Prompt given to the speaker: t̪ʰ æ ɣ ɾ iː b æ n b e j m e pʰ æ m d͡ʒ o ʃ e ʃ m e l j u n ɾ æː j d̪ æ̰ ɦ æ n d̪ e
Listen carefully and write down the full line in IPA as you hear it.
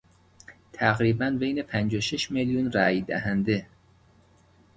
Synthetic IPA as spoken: t̪ʰ æ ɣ ɾ iː b æ n b e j n e pʰ æ n d͡ʒ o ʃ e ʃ m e l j u n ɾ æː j d̪ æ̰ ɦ æ n d̪ e